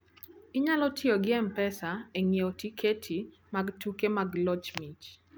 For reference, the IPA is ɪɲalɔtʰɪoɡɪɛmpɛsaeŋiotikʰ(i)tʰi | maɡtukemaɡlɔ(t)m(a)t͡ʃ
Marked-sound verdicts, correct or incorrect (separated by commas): incorrect, incorrect, incorrect